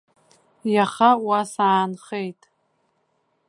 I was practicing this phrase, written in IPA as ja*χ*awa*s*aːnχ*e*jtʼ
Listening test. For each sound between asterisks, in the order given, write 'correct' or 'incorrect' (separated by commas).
correct, correct, correct